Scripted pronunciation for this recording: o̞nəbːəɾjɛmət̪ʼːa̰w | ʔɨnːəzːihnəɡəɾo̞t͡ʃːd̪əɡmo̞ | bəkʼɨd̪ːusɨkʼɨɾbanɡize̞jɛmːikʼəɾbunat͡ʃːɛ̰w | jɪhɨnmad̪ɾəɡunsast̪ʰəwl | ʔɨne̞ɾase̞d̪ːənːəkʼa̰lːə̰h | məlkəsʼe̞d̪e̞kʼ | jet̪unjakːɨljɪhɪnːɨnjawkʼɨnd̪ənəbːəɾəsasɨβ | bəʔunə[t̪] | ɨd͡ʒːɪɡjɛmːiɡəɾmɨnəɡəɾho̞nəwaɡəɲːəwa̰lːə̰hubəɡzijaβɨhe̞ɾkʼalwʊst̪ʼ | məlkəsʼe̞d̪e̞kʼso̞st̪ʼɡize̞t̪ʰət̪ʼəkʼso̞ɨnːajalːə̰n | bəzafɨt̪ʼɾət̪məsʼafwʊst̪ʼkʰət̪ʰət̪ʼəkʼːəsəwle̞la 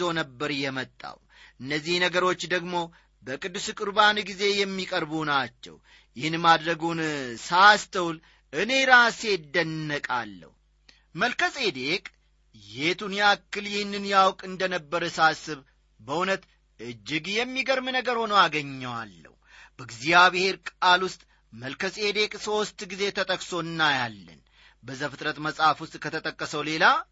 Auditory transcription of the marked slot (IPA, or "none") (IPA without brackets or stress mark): t̪